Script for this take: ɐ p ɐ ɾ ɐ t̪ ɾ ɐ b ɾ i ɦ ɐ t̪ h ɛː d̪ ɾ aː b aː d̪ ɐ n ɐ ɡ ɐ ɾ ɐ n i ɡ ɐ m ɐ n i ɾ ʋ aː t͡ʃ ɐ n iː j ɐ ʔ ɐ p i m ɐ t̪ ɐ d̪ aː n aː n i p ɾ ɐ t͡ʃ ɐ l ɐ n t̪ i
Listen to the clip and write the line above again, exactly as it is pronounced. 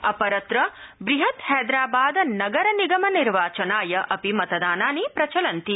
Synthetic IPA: ɐ p ɐ ɾ ɐ t̪ ɾ ɐ b ɾ i ɦ ɐ t̪ h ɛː d̪ ɾ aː b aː d̪ ɐ n ɐ ɡ ɐ ɾ ɐ n i ɡ ɐ m ɐ n i ɾ ʋ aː t͡ʃ ɐ n aː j ɐ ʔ ɐ p i m ɐ t̪ ɐ d̪ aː n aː n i p ɾ ɐ t͡ʃ ɐ l ɐ n t̪ i